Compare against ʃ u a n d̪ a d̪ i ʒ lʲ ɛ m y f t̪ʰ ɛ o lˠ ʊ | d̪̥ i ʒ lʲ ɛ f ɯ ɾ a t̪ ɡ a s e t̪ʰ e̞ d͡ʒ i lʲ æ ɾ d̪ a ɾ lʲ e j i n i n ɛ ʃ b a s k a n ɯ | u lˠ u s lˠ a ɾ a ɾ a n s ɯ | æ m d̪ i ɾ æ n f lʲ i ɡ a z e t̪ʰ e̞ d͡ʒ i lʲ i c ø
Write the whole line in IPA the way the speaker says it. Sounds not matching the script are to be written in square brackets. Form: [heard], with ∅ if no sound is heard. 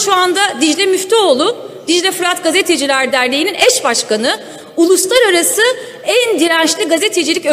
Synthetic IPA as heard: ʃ u a n d̪ a d̪ i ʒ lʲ ɛ m y f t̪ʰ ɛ o lˠ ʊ | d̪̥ i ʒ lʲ ɛ f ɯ ɾ a t̪ ɡ a [z] e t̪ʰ e̞ d͡ʒ i lʲ æ ɾ d̪ [æ] ɾ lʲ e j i n i n ɛ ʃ b a [ʃ] k a n ɯ | u lˠ u s lˠ a ɾ a ɾ a [∅] s ɯ | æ [n] d̪ i ɾ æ n [ʃ] lʲ i ɡ a z e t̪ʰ e̞ d͡ʒ i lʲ i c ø